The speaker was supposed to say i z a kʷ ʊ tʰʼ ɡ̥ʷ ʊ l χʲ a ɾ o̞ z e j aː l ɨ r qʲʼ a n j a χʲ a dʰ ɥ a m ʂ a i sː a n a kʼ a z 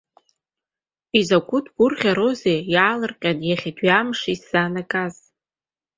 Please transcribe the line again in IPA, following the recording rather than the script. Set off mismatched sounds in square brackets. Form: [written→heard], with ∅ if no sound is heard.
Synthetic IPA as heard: i z a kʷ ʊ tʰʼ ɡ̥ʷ ʊ [l→r] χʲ a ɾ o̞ z e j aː l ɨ r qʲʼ a n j a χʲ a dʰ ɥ a m ʂ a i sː a n a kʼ a z

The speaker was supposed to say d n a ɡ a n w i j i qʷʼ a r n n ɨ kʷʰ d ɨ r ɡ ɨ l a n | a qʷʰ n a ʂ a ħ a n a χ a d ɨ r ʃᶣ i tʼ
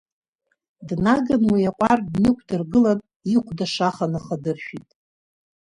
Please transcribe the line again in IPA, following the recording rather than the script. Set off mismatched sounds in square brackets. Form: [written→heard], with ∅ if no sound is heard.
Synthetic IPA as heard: d n a ɡ a n w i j [i→a] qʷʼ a r [n→d] n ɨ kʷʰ d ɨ r ɡ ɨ l a n | [a→i] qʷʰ [n→d] a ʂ a [ħ→χ] a n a χ a d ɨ r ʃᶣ i tʼ

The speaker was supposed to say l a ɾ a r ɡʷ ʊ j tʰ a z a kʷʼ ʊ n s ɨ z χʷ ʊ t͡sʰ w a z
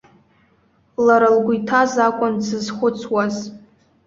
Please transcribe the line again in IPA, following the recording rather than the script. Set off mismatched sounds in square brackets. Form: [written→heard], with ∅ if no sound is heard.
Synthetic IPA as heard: l a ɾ a [r→l] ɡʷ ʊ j tʰ a z a kʷʼ ʊ n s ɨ z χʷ ʊ t͡sʰ w a z

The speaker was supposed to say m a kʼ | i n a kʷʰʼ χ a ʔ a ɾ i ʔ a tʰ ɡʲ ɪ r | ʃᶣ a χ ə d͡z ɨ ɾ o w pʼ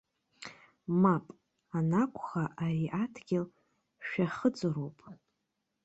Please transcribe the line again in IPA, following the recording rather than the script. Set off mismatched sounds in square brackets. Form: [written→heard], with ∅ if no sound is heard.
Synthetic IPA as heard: m a [kʼ→pʼ] | [i→a] n a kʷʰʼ χ a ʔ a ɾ i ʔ a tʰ ɡʲ ɪ [r→l] | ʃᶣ a χ ə d͡z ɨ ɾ o w pʼ

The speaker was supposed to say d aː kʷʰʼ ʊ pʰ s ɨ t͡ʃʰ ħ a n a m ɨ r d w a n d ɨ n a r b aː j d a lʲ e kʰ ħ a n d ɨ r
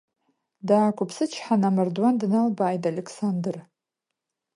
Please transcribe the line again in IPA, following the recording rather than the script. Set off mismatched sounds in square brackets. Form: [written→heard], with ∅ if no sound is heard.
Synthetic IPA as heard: d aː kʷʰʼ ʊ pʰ s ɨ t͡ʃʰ ħ a n a m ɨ r d w a n d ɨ n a [r→l] b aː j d a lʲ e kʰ [ħ→s] a n d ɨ r

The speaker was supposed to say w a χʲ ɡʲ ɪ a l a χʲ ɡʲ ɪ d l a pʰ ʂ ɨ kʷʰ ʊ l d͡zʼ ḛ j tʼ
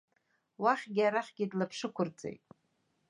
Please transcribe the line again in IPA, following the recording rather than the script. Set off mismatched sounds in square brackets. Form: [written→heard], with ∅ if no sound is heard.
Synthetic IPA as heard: w a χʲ ɡʲ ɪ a [l→ɾ] a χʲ ɡʲ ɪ d l a pʰ ʂ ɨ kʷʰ ʊ [l→r] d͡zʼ ḛ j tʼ

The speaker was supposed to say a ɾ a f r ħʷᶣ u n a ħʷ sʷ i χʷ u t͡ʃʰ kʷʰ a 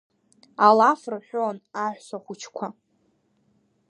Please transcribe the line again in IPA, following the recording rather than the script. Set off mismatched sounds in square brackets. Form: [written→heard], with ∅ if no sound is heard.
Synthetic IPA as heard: a [ɾ→l] a f r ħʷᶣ [u→o] n a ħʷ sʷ [i→a] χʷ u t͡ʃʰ kʷʰ a

